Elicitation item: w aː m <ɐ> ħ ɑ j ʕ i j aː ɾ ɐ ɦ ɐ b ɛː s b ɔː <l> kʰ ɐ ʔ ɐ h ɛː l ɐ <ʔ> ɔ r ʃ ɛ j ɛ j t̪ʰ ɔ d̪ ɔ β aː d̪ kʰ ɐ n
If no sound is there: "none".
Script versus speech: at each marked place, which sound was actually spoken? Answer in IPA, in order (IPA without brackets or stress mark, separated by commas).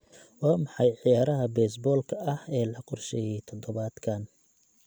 ɑ, l, q